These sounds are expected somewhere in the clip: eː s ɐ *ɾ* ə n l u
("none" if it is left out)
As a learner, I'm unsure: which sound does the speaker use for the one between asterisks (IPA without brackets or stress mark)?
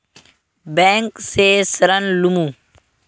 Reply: ɾ